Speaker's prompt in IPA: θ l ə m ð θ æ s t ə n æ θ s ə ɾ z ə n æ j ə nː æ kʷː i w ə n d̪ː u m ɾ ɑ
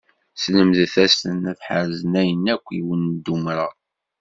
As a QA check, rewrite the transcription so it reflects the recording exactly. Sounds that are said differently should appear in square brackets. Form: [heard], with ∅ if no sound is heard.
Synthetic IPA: [s] l ə m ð θ æ s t ə n æ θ [ħ] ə ɾ z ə n æ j ə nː æ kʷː i w ə n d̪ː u m ɾ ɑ

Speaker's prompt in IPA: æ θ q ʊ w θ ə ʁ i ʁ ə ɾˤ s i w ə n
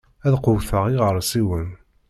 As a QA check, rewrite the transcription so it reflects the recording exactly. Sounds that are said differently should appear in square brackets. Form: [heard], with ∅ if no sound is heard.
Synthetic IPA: æ [ð] q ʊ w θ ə ʁ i ʁ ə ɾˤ s i w ə n

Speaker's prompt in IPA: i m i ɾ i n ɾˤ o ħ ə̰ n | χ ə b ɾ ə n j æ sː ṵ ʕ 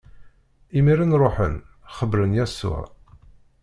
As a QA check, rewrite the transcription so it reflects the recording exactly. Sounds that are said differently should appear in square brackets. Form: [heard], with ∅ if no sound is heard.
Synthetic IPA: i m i ɾ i n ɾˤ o ħ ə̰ n | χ ə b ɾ ə n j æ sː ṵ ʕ

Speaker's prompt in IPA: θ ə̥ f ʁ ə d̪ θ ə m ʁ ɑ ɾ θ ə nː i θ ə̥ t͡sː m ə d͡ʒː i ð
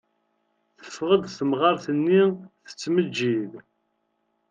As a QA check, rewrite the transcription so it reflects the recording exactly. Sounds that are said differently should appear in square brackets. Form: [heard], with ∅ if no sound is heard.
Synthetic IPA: θ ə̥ f ʁ ə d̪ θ ə m ʁ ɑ ɾ θ ə nː i θ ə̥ t͡sː m ə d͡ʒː i ð

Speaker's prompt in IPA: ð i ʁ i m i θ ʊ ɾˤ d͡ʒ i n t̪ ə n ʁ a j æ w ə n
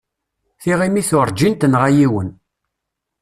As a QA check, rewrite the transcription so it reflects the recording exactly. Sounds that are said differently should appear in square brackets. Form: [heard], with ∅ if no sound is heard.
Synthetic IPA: [θ] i ʁ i m i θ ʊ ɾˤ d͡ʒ i n t̪ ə n ʁ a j [i] w ə n

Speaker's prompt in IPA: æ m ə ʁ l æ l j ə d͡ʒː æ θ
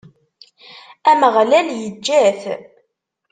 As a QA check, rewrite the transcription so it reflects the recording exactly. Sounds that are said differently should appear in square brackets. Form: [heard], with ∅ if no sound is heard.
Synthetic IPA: æ m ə ʁ l æ l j ə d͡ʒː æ θ

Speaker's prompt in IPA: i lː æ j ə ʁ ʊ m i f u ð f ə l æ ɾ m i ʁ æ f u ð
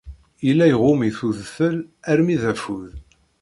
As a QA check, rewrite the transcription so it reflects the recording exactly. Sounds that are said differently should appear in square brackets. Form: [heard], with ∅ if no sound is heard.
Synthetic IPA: i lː æ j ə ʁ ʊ m i [θ] u ð f ə l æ ɾ m i [ð] æ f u ð

